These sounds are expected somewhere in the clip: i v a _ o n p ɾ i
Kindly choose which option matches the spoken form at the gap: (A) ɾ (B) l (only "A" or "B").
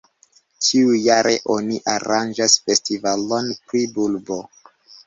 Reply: B